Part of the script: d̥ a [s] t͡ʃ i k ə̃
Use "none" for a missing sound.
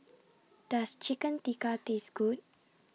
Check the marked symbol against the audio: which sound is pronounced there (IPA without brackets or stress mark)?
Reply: s